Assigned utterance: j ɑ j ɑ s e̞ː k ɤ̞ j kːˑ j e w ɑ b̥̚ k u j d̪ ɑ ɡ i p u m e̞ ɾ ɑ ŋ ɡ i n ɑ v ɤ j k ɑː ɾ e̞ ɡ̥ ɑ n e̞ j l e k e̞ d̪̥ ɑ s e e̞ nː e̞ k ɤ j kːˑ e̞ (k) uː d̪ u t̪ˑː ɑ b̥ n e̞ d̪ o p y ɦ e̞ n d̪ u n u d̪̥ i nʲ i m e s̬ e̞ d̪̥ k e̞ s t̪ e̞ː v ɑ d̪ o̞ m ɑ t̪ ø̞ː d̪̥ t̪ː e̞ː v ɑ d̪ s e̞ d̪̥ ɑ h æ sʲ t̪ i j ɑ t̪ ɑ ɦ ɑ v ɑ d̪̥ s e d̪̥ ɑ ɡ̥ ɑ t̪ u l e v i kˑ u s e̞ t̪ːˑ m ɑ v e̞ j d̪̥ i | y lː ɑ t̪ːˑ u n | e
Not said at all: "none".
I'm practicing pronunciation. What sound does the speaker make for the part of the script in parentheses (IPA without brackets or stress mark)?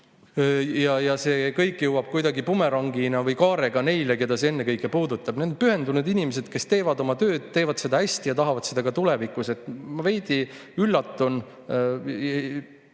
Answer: p